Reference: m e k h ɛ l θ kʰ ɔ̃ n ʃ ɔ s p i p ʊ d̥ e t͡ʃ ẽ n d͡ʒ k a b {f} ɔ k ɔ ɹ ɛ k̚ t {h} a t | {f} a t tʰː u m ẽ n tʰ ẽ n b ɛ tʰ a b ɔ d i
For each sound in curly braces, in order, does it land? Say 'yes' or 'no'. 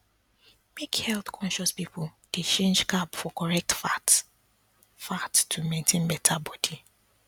yes, no, yes

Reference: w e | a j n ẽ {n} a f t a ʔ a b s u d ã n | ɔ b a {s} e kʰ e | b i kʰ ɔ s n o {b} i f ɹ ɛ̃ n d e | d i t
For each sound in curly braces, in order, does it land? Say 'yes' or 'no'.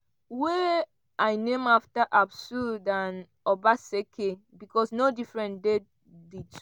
no, yes, no

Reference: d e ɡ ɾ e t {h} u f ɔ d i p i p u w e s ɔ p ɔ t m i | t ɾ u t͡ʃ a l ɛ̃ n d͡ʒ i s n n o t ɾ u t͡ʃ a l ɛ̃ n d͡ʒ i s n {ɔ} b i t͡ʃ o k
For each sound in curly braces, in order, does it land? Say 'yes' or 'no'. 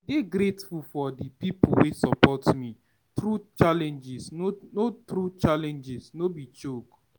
no, no

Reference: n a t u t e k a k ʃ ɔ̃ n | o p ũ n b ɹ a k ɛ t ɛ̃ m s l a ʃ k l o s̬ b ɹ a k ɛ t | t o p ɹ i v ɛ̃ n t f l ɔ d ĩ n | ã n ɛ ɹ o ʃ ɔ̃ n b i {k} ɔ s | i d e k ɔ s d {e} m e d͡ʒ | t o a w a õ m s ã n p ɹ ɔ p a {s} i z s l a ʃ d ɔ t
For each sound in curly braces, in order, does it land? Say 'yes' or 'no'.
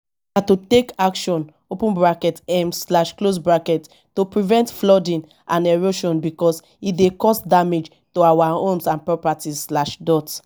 yes, no, no

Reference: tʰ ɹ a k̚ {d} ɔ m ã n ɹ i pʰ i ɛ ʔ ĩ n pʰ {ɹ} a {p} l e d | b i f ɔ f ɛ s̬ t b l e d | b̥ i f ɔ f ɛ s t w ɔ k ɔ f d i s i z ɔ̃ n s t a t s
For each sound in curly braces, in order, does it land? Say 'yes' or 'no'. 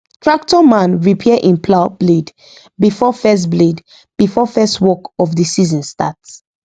no, no, no

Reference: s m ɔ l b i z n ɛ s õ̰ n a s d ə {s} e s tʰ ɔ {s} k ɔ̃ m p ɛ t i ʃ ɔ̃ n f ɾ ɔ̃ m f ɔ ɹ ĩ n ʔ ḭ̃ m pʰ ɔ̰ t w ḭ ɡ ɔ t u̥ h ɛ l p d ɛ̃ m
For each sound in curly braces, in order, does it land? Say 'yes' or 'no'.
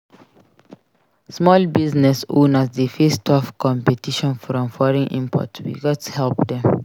no, no

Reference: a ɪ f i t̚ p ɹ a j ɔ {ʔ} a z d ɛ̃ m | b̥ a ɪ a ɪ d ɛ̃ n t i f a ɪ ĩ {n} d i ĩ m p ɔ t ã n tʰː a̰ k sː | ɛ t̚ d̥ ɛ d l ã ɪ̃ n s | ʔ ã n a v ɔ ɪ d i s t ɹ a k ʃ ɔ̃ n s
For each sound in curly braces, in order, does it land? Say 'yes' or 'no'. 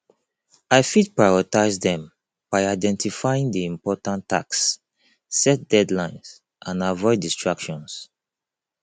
no, no

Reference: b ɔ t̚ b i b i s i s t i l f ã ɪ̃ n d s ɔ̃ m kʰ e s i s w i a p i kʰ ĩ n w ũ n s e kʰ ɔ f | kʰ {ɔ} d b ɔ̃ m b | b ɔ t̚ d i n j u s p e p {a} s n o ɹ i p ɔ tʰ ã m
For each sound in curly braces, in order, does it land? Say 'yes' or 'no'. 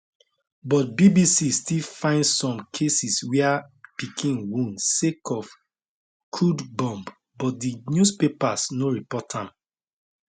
no, yes

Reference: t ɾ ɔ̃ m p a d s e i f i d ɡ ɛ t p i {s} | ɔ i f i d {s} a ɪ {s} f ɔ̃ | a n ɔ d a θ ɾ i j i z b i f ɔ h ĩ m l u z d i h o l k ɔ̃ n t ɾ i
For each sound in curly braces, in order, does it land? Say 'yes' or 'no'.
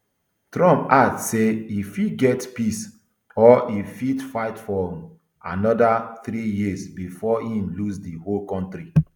yes, no, no

